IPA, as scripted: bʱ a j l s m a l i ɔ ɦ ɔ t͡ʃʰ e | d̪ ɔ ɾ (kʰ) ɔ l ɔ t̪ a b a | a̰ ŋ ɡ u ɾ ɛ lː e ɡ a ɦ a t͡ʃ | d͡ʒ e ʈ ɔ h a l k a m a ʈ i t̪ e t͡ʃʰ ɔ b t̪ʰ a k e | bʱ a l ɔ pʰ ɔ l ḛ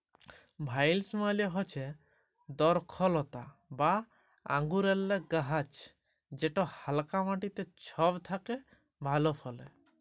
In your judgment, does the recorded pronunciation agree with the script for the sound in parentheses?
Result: yes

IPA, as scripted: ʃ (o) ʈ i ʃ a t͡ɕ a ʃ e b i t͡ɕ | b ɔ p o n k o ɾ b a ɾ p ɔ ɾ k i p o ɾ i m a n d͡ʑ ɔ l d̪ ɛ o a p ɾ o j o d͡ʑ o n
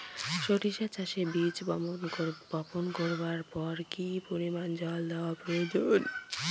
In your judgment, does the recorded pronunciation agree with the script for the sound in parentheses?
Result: yes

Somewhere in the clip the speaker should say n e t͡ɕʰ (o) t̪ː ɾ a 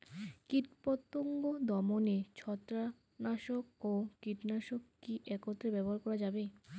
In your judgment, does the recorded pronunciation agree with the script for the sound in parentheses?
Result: no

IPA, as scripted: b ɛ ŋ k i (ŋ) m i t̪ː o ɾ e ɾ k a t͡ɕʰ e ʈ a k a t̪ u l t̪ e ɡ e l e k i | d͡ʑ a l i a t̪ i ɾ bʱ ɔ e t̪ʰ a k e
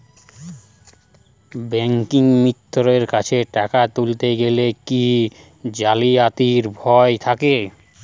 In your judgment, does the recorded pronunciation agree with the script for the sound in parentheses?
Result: yes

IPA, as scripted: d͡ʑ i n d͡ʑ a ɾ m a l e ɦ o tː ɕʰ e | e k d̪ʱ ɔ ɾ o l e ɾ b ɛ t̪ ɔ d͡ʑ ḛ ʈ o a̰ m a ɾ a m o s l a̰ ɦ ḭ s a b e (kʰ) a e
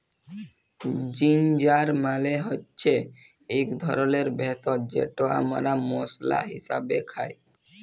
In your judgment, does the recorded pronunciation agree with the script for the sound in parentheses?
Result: yes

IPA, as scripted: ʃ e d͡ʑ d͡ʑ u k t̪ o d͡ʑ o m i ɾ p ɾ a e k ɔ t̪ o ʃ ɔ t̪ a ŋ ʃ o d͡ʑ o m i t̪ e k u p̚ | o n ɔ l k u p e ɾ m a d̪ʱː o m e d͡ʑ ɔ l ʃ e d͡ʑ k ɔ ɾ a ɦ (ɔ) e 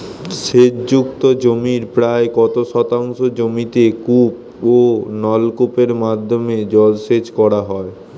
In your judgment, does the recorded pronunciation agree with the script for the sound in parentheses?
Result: yes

